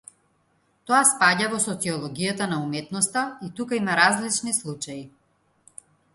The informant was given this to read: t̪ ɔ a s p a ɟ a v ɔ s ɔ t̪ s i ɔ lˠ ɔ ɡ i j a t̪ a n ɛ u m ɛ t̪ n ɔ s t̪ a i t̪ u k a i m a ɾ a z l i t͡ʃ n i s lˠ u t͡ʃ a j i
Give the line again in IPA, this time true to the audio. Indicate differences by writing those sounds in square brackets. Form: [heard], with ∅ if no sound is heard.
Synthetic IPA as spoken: t̪ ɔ a s p a ɟ a v ɔ s ɔ t̪ s i ɔ lˠ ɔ ɡ i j a t̪ a n [a] u m ɛ t̪ n ɔ s t̪ a i t̪ u k a i m a ɾ a z l i t͡ʃ n i s lˠ u t͡ʃ a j i